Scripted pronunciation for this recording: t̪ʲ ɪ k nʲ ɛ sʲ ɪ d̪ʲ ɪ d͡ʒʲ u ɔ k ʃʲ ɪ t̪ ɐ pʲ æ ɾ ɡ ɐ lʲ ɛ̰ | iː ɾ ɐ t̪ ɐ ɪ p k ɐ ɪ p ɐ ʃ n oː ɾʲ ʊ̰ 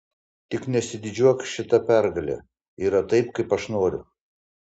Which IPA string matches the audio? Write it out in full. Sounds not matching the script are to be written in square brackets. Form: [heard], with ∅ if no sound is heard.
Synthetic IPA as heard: t̪ʲ ɪ k nʲ ɛ sʲ ɪ d̪ʲ ɪ d͡ʒʲ u ɔ k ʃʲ ɪ t̪ ɐ pʲ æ ɾ ɡ ɐ lʲ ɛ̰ | iː ɾ ɐ t̪ ɐ ɪ p k ɐ ɪ p ɐ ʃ n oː ɾʲ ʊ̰